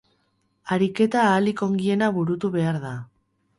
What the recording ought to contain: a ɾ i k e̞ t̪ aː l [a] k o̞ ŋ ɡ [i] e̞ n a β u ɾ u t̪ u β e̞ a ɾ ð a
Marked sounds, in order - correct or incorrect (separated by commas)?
incorrect, correct